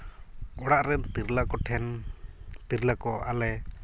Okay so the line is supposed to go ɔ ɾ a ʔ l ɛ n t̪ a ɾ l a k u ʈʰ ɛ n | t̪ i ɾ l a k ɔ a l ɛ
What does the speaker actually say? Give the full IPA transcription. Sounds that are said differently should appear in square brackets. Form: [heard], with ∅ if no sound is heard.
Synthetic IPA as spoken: ɔ [ɽ] a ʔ [ɾ] ɛ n t̪ [i] ɾ l a k [ɔ] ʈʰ ɛ n | t̪ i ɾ l a k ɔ a l ɛ